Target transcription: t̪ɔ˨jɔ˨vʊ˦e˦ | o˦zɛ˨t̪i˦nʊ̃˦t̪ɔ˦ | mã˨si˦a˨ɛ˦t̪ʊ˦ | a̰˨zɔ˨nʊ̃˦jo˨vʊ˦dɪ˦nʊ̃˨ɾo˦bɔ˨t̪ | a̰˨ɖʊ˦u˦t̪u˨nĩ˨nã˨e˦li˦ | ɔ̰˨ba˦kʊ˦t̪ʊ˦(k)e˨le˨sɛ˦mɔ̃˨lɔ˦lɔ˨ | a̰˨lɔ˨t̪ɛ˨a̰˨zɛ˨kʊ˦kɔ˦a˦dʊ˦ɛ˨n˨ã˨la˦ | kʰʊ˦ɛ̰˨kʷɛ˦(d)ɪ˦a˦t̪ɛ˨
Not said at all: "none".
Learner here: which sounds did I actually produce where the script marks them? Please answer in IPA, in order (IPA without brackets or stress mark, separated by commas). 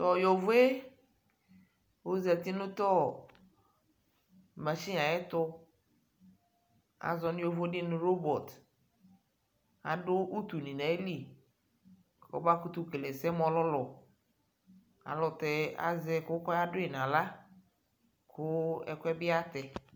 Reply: k, b